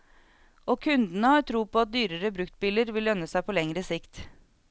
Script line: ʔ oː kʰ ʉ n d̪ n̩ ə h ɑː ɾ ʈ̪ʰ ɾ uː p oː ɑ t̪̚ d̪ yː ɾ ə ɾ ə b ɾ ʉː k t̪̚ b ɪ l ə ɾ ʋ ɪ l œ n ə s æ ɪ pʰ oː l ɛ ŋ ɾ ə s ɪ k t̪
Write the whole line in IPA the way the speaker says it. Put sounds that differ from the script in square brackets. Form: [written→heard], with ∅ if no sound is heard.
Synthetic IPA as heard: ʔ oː kʰ ʉ n d̪ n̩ ə h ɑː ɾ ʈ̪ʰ ɾ uː p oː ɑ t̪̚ d̪ yː ɾ ə ɾ ə b ɾ [ʉː→ʉ] k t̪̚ b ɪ l ə ɾ ʋ ɪ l œ n ə s æ ɪ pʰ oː l ɛ ŋ ɾ ə s ɪ k t̪